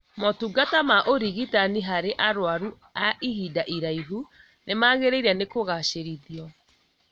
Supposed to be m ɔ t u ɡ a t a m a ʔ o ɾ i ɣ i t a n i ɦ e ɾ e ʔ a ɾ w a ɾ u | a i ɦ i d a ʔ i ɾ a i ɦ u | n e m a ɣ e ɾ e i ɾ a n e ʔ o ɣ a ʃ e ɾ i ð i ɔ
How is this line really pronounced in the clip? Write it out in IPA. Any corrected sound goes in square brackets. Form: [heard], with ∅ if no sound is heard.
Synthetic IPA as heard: m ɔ t u ɡ a t a m a ʔ o ɾ i ɣ i t a n i ɦ [a] ɾ e ʔ a ɾ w a ɾ u | a i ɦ i d a ʔ i ɾ a i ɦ u | n e m a ɣ e ɾ e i ɾ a n e [k] o ɣ a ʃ e ɾ i ð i ɔ

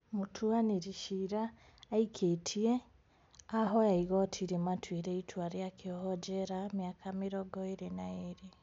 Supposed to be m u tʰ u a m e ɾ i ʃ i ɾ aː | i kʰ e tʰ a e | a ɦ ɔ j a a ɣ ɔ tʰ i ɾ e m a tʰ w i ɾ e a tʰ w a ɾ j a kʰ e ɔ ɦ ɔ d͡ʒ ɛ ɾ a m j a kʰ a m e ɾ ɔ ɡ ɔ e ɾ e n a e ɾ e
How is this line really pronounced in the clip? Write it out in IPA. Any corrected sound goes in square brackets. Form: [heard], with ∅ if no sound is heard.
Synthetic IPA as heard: m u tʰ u a [n] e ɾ i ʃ i ɾ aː | i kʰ e tʰ [i] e | a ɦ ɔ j a [i] ɣ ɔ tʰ i ɾ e m a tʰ w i ɾ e [i] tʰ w a ɾ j a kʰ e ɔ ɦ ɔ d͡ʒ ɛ ɾ a m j a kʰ a m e ɾ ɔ ɡ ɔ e ɾ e n a e ɾ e

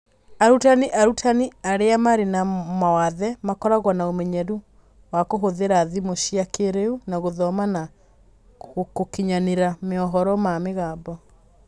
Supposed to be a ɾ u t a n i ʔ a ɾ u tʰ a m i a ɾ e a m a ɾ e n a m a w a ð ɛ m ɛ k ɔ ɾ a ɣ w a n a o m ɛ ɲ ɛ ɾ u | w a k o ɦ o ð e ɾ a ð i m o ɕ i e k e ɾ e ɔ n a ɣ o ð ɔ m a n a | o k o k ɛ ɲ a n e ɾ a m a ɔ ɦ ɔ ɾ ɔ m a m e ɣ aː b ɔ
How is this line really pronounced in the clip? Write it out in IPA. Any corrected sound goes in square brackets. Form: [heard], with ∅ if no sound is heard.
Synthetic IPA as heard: a ɾ u t a n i ʔ a ɾ u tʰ a [n] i a ɾ e a m a ɾ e n a m a w a ð ɛ m [a] k ɔ ɾ a ɣ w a n a o m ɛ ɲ ɛ ɾ u | w a k o ɦ o ð e ɾ a ð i m o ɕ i [a] k e ɾ e [u] n a ɣ o ð ɔ m a n a | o k o k [i] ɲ a n e ɾ a m [e] ɔ ɦ ɔ ɾ ɔ m a m e ɣ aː b ɔ

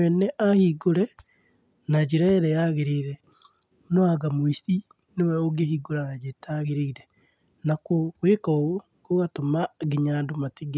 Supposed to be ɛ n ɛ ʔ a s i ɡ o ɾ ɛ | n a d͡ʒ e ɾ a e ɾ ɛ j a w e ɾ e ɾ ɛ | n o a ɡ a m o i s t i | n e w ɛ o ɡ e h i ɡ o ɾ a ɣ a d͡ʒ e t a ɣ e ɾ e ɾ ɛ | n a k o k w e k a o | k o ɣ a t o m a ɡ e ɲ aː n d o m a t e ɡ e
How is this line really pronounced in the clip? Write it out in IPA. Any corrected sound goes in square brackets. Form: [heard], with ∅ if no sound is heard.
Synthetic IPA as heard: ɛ n ɛ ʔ a [h] i ɡ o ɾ ɛ | n a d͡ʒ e ɾ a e ɾ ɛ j a [ɣ] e ɾ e ɾ ɛ | n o a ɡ a m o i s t i | n e w ɛ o ɡ e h i ɡ o ɾ a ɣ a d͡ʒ e t a ɣ e ɾ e ɾ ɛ | n a k o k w e k a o | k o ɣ a t o m a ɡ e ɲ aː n d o m a t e ɡ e

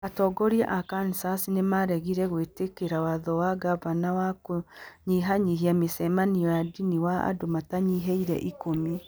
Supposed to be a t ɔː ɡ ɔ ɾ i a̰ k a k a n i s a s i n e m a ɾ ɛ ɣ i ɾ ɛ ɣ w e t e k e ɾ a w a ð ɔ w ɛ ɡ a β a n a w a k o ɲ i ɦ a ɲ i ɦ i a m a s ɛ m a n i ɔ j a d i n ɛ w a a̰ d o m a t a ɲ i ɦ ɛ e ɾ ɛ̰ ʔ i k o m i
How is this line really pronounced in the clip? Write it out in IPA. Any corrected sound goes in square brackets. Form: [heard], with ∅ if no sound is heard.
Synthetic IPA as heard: a t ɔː ɡ ɔ ɾ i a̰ [ʔ] a k a n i s a s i n e m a ɾ ɛ ɣ i ɾ ɛ ɣ w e t e k e ɾ a w a ð ɔ w [a] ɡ a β a n a w a k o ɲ i ɦ a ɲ i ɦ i a m [e] s ɛ m a n i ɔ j a d i n [i] w a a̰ d o m a t a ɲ i ɦ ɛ [i] ɾ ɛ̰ ʔ i k o m i

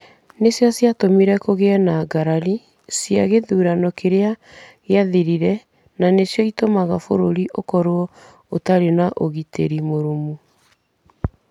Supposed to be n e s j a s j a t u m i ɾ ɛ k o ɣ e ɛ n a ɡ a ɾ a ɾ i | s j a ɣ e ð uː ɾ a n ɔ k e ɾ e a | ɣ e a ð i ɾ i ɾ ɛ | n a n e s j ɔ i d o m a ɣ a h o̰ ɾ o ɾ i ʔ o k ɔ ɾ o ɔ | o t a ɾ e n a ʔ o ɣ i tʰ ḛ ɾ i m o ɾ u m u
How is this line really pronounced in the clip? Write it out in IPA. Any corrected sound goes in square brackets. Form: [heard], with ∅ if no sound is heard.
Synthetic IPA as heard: n e s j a s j a t [o] m i ɾ ɛ k o ɣ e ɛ n a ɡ a ɾ a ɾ i | s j a ɣ e ð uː ɾ a n ɔ k e ɾ e a | ɣ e a ð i ɾ i ɾ ɛ | n a n e s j ɔ i [t] o m a ɣ a [f] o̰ ɾ o ɾ i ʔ o k ɔ ɾ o ɔ | o t a ɾ e n a ʔ o ɣ i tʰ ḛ ɾ i m o ɾ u m u

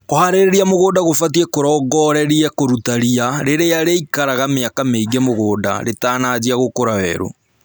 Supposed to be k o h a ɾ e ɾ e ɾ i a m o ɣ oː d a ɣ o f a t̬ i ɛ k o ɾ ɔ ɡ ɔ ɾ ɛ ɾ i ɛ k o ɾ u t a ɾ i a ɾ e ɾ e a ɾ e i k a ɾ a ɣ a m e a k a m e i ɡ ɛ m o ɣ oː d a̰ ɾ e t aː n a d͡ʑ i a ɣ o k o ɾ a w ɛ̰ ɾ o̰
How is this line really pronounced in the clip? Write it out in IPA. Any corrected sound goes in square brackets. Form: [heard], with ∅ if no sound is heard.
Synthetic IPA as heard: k o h a ɾ e ɾ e ɾ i a m o ɣ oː d a ɣ o f a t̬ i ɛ k o ɾ ɔ ɡ ɔ ɾ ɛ ɾ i ɛ k o ɾ u t a ɾ i a ɾ e ɾ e a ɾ e i k a ɾ a ɣ a m e a k a m e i ɡ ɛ m o ɣ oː d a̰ ɾ e t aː n a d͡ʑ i a ɣ o k o ɾ a w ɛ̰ ɾ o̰

